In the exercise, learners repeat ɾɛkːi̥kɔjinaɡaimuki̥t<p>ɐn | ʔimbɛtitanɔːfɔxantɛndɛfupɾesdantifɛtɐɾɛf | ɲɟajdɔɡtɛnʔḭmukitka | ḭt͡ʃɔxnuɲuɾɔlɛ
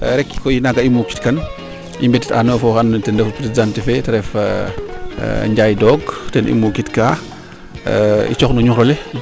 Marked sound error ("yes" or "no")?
yes